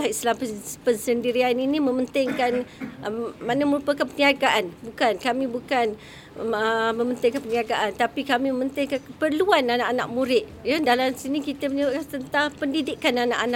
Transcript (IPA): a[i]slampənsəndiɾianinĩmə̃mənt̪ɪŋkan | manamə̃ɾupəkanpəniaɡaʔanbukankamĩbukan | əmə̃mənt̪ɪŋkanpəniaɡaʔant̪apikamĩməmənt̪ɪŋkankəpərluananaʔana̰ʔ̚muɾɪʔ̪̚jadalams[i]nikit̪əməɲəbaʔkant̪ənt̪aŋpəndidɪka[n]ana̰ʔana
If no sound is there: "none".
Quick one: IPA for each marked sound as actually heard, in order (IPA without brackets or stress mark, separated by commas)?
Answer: i, i, n